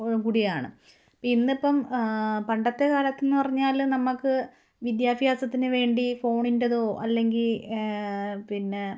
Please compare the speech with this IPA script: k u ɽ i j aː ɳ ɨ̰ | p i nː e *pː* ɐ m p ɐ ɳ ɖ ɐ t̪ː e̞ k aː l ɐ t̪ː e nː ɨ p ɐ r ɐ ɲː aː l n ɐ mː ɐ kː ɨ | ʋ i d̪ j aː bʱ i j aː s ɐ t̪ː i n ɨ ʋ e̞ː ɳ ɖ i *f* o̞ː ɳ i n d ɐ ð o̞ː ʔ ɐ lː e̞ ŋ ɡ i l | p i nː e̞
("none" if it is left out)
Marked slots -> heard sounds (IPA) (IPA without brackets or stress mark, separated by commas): pː, f